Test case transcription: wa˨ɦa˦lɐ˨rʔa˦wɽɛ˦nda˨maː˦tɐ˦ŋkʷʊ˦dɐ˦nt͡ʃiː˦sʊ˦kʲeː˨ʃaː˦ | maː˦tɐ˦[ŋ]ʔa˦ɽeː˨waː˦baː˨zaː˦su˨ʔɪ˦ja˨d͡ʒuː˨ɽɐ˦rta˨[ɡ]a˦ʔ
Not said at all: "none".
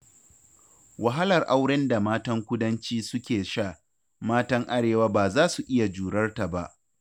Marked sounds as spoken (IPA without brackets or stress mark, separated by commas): ŋ, b